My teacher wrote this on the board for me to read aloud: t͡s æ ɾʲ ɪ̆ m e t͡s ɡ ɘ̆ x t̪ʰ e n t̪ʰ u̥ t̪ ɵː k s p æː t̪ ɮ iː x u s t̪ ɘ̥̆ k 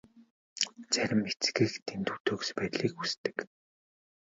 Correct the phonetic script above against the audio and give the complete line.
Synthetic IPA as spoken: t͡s æ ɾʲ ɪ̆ m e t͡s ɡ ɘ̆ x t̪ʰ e n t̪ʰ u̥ t̪ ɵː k s p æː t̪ ɮ iː k u s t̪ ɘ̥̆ k

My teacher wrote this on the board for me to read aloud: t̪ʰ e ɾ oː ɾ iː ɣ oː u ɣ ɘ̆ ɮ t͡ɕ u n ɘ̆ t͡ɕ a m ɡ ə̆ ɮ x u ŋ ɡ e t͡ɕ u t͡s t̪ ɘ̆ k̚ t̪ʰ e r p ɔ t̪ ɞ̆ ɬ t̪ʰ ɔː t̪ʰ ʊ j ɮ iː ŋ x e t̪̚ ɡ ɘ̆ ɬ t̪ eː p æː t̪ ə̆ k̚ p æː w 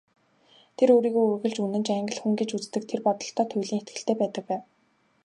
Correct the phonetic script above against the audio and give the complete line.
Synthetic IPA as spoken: t̪ʰ e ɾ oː ɾ iː ɣ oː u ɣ ɘ̆ ɮ t͡ɕ u n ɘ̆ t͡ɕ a ŋ ɡ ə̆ ɮ x u ŋ ɡ e t͡ɕ u t͡s t̪ ɘ̆ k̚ t̪ʰ e r p ɔ t̪ ɞ̆ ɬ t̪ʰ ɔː t̪ʰ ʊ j ɮ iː ŋ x e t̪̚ ɡ ɘ̆ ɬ t̪ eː p æː t̪ ə̆ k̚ p æː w

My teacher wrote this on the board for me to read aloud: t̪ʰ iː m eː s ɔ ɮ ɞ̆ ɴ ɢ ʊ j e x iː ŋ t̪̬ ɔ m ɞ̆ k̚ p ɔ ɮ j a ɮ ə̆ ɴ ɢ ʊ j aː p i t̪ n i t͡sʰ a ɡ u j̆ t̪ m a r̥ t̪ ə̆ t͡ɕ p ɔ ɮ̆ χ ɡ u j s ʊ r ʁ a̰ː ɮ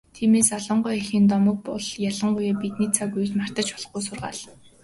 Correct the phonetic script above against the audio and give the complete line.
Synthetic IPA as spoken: t̪ʰ iː m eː s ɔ ɮ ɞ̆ ɴ ɢ ʊ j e x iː n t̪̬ ɔ m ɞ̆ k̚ p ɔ ɮ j a ɮ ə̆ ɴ ɢ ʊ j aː p i t̪ n i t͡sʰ a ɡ u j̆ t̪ m a r̥ t̪ ə̆ t͡ɕ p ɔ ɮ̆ χ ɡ u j s ʊ r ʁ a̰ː ɮ

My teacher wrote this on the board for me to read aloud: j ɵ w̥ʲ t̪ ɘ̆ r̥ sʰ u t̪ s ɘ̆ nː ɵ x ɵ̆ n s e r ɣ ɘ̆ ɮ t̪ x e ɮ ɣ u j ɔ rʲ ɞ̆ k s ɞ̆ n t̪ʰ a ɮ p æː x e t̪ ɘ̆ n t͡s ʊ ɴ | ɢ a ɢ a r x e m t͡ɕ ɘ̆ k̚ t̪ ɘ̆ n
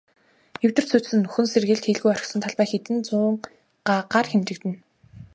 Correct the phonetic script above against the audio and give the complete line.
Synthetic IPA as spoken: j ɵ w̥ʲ t̪ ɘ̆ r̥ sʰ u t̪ s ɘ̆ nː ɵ x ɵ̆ n s e r ɣ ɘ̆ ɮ t̪ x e ɮ ɣ u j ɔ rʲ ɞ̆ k s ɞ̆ n t̪ʰ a ɮ p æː x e t̪ ɘ̆ n t͡s ʊː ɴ | ɢ a ɢ a r x e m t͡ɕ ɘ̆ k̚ t̪ ɘ̆ n

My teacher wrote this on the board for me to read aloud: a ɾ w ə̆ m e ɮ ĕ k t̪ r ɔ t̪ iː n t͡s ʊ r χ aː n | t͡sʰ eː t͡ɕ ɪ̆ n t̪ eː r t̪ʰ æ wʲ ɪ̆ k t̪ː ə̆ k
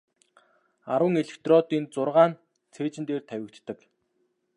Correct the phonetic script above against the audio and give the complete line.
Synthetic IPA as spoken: a ɾ w ə̆ ŋ e ɮ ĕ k t̪ r ɔ t̪ iː n t͡s ʊ r ʁ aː n | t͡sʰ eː t͡ɕ ɪ̆ n t̪ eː r t̪ʰ æ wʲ ɪ̆ k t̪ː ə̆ k

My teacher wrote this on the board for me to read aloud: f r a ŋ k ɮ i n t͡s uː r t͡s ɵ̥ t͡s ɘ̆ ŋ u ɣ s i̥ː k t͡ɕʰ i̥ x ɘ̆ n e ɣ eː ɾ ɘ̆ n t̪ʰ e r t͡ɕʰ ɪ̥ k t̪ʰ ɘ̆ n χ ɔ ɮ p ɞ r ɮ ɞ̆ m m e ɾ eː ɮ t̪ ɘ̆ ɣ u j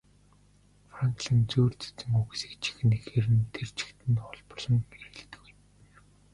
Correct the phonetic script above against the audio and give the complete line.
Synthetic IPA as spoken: f r a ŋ k ɮ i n t͡s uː r t͡s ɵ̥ t͡s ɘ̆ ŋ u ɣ s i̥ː k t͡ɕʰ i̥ x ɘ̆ n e x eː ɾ ɘ̆ n t̪ʰ e r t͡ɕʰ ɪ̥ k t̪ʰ ɘ̆ n χ ɔ ɮ p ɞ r ɮ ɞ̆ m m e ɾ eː ɮ t̪ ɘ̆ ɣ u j

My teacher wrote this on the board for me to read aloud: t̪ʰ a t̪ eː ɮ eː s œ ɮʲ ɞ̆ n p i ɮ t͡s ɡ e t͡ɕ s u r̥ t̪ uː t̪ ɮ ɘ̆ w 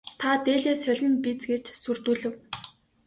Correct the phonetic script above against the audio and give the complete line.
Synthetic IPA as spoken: t̪ʰ a t̪ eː ɮ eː s œ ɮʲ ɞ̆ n p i t͡s ɡ e t͡ɕ s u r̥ t̪ uː ɮ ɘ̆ w

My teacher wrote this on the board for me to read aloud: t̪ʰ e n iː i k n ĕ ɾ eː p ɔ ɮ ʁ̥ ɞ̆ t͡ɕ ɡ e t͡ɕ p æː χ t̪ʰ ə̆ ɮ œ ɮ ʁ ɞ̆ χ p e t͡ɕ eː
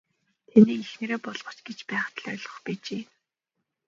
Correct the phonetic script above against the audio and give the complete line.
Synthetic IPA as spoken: t̪ʰ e n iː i x n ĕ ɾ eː p ɔ ɮ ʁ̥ ɞ̆ t͡ɕ ɡ e t͡ɕ p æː χ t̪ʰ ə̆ ɮ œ ɮ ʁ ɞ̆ χ p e t͡ɕ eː

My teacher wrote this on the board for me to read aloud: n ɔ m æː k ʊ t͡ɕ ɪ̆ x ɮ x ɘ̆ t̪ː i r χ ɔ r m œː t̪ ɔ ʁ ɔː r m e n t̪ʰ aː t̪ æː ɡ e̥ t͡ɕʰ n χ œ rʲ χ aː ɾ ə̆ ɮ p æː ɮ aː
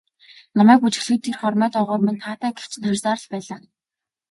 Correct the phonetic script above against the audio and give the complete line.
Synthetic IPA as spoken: n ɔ m æː k u t͡ɕ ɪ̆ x ɮ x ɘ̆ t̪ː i r χ ɔ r m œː t̪ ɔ ʁ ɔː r m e n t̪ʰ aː t̪ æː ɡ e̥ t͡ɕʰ n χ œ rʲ s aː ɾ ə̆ ɮ p æː ɮ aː

